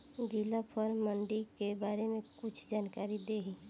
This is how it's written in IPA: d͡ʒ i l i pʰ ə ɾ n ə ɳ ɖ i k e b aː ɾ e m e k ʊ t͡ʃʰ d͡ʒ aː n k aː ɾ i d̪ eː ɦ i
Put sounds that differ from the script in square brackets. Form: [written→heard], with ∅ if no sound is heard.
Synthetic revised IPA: d͡ʒ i l [i→a] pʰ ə ɾ [n→m] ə ɳ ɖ i k e b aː ɾ e m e k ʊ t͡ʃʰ d͡ʒ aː n k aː ɾ i d̪ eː ɦ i